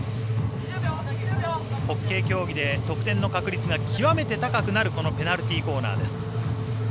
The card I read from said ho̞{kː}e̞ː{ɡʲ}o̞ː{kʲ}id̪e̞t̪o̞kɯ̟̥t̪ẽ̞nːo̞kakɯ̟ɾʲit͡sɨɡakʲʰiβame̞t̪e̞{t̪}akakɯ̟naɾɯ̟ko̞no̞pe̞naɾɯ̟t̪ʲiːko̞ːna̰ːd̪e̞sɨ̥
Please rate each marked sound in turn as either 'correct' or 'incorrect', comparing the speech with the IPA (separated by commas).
correct, incorrect, incorrect, correct